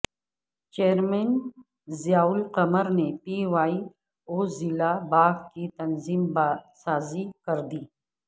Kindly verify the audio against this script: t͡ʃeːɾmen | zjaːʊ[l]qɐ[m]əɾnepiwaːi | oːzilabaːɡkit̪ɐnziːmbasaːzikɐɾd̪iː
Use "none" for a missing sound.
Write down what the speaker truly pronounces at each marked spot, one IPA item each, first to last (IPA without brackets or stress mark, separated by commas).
l, m